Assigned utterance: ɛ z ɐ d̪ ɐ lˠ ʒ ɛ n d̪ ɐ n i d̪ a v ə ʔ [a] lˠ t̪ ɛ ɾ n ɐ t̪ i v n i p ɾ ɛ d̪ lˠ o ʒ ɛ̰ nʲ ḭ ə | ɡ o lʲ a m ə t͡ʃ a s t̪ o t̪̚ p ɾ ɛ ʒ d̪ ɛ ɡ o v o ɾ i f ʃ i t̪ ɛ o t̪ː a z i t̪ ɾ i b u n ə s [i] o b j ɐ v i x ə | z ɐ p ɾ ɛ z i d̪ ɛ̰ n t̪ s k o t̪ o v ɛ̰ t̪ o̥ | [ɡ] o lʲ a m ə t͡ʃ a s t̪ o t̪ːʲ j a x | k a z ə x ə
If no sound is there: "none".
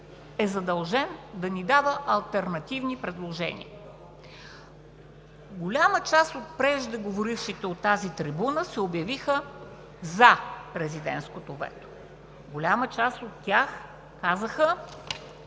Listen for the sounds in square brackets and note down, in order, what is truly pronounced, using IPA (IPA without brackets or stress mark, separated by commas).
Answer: ɐ, ɛ, ɡ